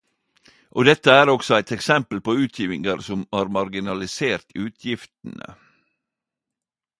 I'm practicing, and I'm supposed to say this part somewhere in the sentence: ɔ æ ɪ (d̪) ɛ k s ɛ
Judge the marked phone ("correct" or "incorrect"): incorrect